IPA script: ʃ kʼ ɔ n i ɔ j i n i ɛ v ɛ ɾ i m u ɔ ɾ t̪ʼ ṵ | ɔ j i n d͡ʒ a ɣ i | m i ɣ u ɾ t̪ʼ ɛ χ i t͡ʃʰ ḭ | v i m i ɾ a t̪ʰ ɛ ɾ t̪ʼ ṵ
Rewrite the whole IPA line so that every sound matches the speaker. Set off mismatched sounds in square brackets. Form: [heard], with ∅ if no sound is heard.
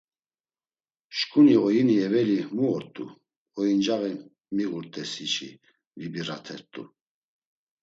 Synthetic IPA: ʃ kʼ [u] n i ɔ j i n i ɛ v ɛ [l] i m u ɔ ɾ t̪ʼ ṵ | ɔ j i n d͡ʒ a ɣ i | m i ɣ u ɾ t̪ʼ ɛ [s] i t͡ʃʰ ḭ | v i [b] i ɾ a t̪ʰ ɛ ɾ t̪ʼ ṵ